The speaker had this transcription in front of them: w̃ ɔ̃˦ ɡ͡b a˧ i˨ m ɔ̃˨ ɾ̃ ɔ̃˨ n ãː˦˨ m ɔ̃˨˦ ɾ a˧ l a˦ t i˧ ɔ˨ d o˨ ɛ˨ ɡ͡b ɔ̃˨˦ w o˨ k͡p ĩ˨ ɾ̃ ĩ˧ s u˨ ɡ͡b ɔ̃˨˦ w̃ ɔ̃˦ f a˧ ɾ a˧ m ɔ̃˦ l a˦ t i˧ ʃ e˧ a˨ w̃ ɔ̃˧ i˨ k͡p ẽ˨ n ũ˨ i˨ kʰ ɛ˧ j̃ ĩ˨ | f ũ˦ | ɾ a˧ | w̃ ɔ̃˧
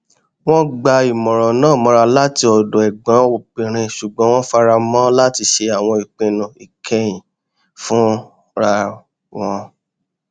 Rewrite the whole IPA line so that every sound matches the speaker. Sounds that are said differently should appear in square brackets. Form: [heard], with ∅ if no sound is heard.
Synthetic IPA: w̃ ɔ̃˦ ɡ͡b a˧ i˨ m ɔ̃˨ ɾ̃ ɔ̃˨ n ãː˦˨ m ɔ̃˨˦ ɾ a˧ l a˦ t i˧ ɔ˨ d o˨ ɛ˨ ɡ͡b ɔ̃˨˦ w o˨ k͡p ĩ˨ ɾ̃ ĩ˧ [ʃ] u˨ ɡ͡b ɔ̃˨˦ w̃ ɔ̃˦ f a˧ ɾ a˧ m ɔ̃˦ l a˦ t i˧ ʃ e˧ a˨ w̃ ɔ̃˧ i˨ k͡p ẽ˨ n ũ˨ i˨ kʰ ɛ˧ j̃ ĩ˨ | f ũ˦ | ɾ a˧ | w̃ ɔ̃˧